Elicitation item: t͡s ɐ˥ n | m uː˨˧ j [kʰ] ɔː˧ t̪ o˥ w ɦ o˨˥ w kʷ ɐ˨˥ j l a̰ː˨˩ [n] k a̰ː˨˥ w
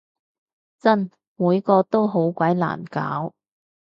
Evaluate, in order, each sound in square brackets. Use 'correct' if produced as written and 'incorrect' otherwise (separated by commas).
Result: incorrect, correct